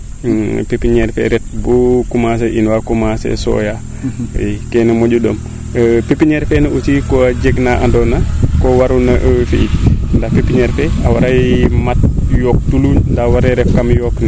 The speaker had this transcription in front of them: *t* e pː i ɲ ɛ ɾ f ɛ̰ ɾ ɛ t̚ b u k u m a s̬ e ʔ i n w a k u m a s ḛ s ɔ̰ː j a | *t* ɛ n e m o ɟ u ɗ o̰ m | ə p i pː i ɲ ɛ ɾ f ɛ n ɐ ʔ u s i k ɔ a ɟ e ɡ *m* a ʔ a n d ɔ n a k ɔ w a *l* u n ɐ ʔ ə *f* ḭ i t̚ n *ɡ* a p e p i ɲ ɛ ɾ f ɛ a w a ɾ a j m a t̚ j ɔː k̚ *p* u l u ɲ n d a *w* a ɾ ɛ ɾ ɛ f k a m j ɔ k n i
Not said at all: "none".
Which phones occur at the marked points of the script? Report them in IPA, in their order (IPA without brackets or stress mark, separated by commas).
p, k, n, ɾ, f, d, t, w